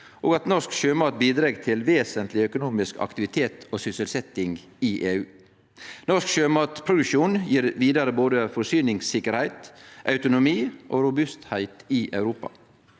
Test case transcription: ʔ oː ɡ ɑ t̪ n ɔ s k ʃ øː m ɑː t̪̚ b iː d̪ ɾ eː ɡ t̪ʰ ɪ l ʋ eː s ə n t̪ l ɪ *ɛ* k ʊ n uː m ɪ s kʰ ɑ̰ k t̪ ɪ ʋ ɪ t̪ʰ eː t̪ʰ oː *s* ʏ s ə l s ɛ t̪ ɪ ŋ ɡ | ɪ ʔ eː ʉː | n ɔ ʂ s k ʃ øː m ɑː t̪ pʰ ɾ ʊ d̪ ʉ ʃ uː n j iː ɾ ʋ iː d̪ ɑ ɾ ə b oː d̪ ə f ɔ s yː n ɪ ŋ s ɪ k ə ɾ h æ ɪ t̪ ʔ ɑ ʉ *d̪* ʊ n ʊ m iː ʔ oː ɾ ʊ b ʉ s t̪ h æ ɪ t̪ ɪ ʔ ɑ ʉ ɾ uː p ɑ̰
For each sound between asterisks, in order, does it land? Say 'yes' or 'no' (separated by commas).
no, yes, no